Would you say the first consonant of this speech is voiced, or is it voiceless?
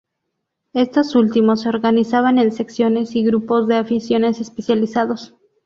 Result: voiceless